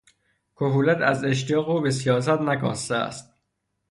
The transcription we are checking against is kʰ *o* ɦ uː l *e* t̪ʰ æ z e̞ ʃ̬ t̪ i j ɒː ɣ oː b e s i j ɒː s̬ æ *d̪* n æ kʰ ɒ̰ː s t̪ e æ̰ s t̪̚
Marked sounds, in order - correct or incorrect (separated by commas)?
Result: correct, incorrect, incorrect